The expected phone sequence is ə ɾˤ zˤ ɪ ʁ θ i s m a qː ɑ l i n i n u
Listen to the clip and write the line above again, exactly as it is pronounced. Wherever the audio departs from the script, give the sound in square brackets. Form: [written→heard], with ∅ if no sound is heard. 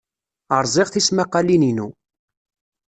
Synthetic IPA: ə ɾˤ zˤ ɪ ʁ θ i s m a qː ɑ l i n i n u